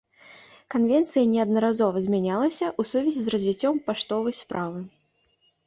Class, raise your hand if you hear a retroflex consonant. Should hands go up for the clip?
yes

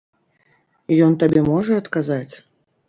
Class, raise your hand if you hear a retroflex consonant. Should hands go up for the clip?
yes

